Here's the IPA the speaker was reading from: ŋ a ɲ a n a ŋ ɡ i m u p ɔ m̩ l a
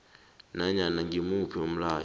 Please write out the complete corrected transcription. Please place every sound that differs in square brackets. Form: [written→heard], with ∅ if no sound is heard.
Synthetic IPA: [ŋ→n] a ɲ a n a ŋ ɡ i m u p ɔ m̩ l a